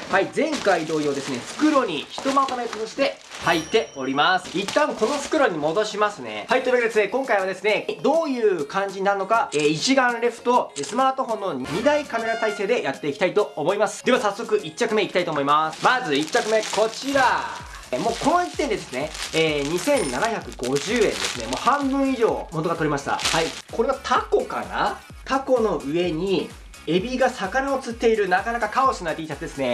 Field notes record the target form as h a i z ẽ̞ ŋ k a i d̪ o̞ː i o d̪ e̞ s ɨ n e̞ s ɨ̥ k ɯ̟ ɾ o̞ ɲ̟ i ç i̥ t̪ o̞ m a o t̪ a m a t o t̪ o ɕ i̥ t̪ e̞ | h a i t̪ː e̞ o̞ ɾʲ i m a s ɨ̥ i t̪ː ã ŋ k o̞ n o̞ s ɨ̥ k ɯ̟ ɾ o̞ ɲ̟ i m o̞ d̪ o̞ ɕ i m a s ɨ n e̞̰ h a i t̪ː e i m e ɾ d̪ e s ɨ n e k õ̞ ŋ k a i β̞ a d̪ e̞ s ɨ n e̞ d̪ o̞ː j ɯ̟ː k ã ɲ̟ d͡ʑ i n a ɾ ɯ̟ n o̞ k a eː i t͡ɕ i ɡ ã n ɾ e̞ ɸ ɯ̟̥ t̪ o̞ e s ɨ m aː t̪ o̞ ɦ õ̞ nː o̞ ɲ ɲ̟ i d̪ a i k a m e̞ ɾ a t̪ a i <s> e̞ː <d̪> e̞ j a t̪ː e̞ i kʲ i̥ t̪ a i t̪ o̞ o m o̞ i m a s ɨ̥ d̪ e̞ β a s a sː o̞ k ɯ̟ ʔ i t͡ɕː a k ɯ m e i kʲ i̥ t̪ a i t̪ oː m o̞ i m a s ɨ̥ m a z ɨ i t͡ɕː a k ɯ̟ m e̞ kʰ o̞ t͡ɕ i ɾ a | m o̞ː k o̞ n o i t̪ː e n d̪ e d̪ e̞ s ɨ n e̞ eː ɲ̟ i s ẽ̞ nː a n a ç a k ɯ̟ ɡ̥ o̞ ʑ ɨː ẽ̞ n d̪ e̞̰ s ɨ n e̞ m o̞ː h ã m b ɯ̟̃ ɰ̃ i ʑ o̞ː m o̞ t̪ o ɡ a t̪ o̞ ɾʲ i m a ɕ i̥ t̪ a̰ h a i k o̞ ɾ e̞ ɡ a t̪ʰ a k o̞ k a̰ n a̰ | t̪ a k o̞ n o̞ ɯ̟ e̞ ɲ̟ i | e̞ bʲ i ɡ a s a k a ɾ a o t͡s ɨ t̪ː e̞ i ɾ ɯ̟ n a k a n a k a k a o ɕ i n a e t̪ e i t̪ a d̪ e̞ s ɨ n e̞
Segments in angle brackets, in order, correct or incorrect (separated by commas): correct, correct